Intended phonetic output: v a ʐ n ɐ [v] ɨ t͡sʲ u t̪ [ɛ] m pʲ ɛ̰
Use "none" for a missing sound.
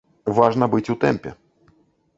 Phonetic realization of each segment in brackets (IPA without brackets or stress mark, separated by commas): b, ɛ